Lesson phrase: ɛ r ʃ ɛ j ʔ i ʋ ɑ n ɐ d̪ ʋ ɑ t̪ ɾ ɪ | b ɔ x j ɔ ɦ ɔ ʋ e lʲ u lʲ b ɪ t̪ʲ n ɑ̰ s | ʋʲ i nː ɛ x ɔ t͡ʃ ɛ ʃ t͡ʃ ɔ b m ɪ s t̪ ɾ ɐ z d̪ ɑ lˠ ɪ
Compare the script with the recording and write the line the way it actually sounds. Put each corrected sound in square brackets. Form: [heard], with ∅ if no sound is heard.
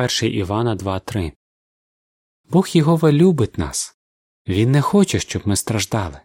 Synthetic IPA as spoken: ɛ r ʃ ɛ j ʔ i ʋ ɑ n ɐ d̪ ʋ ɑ t̪ ɾ ɪ | b ɔ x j ɔ ɦ ɔ ʋ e lʲ u [∅] b ɪ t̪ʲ n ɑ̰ s | ʋʲ i nː ɛ x ɔ t͡ʃ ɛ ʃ t͡ʃ ɔ b m ɪ s t̪ ɾ ɐ [ʒ] d̪ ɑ lˠ ɪ